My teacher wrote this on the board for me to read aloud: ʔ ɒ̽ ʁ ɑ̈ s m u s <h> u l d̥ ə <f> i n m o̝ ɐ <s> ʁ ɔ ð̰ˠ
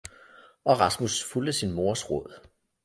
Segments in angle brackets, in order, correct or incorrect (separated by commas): incorrect, incorrect, correct